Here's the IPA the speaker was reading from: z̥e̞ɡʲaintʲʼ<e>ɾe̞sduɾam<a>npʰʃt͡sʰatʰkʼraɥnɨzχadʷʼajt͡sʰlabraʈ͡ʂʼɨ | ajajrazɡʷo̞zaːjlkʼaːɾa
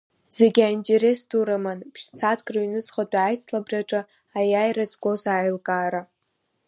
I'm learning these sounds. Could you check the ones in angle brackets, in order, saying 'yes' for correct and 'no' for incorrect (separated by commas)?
yes, yes